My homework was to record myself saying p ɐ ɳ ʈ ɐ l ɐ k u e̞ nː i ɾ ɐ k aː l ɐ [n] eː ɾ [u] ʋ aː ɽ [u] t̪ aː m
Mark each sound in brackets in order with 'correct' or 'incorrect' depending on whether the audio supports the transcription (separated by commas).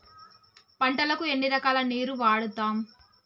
correct, correct, correct